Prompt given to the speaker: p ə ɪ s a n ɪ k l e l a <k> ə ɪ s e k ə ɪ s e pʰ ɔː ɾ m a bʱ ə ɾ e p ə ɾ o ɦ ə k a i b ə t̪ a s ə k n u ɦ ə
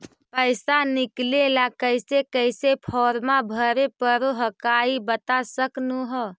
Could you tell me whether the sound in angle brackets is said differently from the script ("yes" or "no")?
no